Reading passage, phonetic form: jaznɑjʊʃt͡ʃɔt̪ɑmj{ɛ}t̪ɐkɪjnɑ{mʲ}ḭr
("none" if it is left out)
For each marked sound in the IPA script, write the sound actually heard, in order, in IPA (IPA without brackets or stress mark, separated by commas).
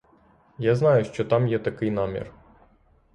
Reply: ɛ, mʲ